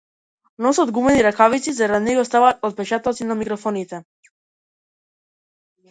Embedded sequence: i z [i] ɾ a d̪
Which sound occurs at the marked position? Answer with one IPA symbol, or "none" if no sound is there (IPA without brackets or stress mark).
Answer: a